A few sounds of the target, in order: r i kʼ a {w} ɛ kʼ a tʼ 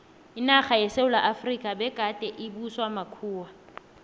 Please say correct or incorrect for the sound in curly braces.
incorrect